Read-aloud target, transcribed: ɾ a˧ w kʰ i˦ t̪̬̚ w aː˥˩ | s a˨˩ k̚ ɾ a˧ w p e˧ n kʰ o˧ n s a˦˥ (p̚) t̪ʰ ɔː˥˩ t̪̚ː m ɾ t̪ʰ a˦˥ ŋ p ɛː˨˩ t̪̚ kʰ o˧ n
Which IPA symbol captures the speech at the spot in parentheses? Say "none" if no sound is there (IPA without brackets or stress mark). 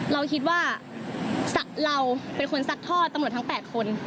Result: k̚